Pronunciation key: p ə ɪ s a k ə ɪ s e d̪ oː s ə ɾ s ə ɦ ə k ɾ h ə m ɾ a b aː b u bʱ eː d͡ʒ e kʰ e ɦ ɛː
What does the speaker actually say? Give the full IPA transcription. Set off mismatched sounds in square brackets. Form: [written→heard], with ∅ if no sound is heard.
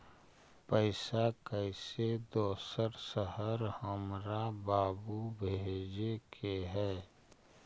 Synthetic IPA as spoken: p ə ɪ s a k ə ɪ s e d̪ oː s ə ɾ s ə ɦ ə [k→∅] ɾ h ə m ɾ a b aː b u bʱ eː d͡ʒ e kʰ e ɦ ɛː